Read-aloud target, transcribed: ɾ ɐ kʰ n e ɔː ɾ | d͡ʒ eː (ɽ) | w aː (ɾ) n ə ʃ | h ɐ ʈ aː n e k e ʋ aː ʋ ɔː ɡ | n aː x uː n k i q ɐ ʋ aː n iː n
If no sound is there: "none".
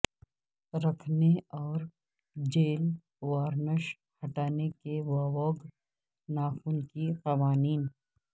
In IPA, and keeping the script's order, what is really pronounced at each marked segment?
l, ɾ

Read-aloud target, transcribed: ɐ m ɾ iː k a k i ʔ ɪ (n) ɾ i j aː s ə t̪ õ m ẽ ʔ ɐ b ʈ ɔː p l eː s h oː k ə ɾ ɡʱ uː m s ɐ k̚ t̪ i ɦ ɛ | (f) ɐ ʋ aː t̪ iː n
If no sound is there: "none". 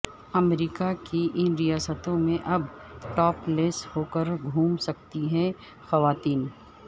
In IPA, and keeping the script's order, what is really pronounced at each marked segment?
n, x

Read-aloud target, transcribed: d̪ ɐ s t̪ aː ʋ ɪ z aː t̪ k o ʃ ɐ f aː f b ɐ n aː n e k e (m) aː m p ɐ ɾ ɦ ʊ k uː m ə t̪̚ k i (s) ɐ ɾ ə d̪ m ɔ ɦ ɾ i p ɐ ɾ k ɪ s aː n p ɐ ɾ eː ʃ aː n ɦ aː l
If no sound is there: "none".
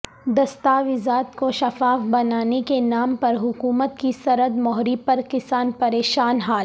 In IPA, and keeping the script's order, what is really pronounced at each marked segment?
n, s

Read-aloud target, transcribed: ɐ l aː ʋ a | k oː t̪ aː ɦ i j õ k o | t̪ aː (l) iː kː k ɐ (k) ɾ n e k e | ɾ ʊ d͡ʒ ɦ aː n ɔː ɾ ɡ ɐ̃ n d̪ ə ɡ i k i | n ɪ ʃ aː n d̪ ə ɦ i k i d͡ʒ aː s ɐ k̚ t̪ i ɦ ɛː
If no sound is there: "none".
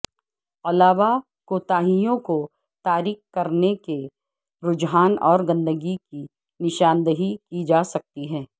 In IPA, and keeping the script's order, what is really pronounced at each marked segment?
ɾ, none

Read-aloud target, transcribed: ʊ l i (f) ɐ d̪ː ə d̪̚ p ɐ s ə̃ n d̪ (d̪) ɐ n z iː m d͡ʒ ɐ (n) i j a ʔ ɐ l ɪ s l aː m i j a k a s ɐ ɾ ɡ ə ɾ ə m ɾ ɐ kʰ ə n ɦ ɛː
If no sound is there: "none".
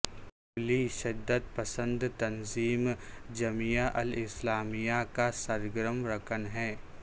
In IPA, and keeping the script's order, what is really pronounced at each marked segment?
ʃ, t̪, m

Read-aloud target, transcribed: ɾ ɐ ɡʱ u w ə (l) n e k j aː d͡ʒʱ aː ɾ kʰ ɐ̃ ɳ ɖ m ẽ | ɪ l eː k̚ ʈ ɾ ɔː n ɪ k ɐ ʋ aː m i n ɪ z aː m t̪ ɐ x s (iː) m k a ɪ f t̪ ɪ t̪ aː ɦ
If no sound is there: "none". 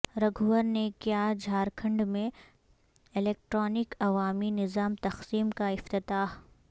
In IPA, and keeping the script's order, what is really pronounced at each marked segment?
ɾ, iː

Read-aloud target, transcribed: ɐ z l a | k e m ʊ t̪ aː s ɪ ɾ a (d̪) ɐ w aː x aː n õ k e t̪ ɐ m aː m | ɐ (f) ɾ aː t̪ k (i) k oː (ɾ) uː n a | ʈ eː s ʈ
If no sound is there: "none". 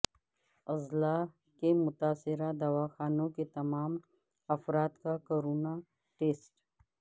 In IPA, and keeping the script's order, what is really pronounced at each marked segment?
d̪, f, a, ɾ

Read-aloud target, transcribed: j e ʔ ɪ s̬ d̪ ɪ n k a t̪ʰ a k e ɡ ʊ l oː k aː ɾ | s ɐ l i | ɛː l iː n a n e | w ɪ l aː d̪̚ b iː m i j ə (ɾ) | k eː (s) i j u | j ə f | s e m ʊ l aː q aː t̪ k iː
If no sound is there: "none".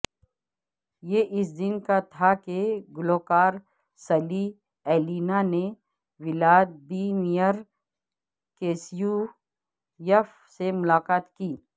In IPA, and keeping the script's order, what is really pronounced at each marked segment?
ɾ, s

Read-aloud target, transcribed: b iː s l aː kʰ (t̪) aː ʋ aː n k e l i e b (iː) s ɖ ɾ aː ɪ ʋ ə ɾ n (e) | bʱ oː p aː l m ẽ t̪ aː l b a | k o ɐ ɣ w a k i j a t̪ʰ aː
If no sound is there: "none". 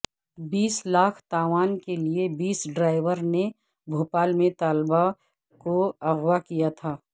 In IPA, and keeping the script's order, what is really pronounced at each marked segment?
t̪, iː, e

